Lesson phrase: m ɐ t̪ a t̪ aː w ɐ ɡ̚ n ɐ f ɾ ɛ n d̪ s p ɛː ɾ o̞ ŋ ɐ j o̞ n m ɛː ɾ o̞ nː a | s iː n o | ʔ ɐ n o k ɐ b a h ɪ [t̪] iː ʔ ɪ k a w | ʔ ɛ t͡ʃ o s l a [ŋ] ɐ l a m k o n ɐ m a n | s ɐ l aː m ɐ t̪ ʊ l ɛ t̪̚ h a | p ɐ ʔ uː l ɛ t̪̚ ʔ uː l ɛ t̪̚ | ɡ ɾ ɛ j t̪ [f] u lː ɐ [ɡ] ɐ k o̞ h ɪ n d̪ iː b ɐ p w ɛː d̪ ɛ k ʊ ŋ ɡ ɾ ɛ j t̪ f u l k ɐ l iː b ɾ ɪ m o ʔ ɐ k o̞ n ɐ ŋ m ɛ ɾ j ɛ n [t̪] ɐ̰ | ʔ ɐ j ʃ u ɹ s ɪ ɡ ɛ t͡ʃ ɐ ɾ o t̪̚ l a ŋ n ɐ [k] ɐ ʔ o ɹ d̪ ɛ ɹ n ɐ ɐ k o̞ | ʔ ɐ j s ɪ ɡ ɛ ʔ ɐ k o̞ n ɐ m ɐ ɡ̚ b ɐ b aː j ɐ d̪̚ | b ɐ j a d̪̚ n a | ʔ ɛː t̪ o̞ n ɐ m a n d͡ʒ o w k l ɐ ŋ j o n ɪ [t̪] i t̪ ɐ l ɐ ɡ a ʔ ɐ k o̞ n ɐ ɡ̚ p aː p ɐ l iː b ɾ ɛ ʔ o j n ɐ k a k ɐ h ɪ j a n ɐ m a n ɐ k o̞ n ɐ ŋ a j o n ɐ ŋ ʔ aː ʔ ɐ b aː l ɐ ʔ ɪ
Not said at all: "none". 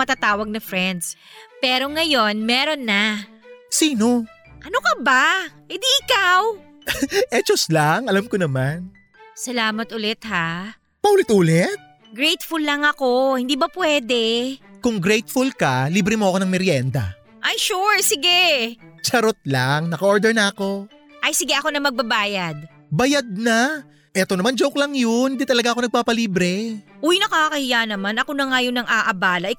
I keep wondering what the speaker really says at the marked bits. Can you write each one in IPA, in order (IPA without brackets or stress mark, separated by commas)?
d̪, ŋ, f, ŋ, d̪, k, d̪